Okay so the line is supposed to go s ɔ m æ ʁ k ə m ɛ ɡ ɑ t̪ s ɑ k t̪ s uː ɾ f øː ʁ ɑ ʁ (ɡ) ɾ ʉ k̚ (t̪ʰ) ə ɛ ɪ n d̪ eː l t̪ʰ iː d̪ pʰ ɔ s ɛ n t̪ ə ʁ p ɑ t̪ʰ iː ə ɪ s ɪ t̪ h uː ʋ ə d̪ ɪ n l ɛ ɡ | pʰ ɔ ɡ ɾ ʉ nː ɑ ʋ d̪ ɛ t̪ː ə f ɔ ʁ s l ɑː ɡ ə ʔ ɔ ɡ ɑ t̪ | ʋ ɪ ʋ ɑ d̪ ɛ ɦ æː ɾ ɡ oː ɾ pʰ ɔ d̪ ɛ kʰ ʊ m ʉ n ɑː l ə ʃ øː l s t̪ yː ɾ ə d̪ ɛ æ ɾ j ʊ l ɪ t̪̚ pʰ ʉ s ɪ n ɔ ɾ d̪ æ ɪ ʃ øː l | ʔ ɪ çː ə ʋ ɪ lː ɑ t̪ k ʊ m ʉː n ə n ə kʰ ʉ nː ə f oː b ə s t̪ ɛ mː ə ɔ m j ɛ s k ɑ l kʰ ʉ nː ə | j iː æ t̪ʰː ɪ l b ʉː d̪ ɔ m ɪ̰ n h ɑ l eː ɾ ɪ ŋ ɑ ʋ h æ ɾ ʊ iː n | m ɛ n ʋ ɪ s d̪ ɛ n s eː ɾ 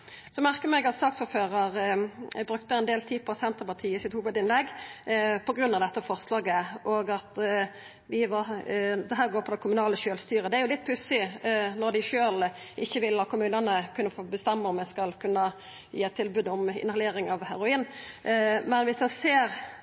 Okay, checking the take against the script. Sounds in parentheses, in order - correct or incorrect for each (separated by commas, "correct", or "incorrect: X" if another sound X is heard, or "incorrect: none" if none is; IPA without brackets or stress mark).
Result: incorrect: b, incorrect: t̪